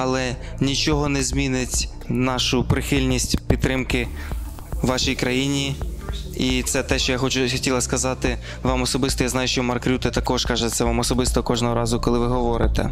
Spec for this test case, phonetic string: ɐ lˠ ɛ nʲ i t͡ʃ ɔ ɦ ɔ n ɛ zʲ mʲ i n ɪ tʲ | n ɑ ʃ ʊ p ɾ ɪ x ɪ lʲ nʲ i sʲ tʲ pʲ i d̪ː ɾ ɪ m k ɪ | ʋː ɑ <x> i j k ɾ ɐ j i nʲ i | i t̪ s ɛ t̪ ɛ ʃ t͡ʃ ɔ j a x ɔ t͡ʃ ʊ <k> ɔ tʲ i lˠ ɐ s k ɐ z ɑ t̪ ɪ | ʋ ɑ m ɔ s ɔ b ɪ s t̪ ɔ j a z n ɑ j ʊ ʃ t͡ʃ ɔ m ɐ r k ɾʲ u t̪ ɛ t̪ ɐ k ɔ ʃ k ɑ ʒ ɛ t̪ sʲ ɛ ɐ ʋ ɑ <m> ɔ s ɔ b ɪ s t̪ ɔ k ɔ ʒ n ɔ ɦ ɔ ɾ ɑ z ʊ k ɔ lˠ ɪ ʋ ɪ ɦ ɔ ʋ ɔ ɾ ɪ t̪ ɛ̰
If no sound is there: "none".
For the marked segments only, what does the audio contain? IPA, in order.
ʃ, x, m

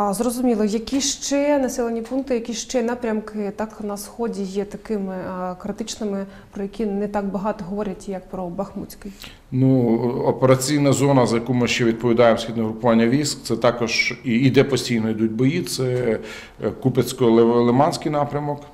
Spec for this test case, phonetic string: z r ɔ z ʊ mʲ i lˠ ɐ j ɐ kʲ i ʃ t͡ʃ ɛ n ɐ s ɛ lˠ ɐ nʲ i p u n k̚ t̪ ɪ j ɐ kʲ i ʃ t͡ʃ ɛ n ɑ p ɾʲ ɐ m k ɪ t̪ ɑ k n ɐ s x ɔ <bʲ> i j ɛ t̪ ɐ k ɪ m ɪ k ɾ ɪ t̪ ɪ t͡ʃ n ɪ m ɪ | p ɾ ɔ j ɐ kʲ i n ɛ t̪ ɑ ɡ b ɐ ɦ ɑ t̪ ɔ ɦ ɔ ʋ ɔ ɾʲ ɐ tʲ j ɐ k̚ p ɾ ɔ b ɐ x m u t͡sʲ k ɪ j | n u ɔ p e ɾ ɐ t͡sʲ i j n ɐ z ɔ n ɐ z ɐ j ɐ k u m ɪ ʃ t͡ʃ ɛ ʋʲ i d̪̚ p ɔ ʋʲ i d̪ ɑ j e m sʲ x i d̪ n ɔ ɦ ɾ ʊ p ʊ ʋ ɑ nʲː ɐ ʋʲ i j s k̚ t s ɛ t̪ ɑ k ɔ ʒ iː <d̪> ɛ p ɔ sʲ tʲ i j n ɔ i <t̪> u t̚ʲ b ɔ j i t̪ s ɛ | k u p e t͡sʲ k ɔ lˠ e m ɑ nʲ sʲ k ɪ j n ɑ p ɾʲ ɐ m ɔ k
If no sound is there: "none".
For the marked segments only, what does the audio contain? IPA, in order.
dʲ, d̪, d̪

